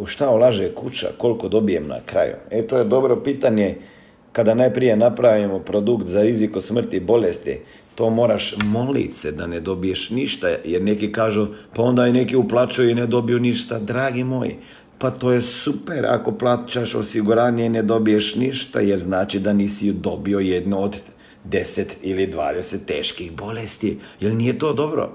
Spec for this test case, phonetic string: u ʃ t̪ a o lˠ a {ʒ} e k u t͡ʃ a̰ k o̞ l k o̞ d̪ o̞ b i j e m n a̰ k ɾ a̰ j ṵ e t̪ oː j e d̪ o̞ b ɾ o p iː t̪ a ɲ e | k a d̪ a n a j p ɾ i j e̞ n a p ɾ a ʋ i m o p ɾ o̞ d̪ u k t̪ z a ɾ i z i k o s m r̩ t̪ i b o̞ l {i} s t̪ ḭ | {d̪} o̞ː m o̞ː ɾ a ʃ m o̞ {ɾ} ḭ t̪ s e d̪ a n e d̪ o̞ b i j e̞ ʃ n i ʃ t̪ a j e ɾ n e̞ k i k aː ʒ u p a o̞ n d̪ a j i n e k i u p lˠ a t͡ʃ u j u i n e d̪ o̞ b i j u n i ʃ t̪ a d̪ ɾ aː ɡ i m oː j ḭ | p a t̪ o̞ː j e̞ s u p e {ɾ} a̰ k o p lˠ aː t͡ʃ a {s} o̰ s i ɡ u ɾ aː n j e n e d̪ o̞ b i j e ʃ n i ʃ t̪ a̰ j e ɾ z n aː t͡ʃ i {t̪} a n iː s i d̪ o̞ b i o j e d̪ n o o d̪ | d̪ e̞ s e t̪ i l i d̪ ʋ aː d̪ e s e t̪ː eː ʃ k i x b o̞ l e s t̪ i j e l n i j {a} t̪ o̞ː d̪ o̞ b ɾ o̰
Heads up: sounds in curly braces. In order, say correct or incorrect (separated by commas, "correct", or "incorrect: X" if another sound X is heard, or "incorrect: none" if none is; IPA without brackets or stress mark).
correct, incorrect: e, incorrect: t̪, incorrect: l, correct, incorrect: ʃ, incorrect: d̪, incorrect: e